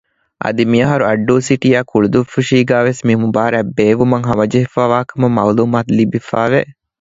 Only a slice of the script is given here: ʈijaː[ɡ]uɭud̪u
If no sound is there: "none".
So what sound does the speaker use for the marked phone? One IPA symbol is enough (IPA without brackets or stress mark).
k